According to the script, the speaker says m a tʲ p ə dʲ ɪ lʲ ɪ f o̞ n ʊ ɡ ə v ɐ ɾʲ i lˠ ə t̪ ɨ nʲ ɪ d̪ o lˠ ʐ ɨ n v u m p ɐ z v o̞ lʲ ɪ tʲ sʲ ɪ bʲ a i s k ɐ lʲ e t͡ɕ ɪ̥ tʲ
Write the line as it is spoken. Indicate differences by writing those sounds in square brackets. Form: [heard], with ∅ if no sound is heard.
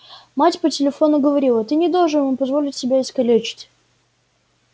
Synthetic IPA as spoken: m a tʲ p ə [tʲ] ɪ lʲ ɪ f o̞ n ʊ ɡ ə v ɐ ɾʲ i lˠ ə t̪ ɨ nʲ ɪ d̪ o lˠ ʐ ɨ n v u m p ɐ z v o̞ lʲ ɪ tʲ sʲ ɪ bʲ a [ɪ] s k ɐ lʲ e t͡ɕ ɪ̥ tʲ